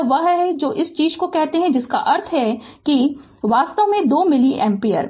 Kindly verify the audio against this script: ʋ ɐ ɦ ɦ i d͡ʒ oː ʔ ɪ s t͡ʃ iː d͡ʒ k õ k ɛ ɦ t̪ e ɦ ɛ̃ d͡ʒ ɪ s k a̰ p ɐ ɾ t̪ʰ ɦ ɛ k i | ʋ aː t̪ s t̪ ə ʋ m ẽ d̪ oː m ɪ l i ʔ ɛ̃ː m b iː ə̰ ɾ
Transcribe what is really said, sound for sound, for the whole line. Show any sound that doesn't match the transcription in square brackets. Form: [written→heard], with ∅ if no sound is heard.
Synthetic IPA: ʋ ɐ ɦ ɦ [i→ɛ] d͡ʒ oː ʔ ɪ s t͡ʃ iː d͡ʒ k [õ→o] k ɛ ɦ t̪ e ɦ ɛ̃ d͡ʒ ɪ s k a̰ [p→ʔ] ɐ ɾ t̪ʰ ɦ ɛ k i | ʋ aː [t̪→∅] s t̪ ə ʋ m ẽ d̪ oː m ɪ l i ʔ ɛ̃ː m [b→p] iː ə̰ ɾ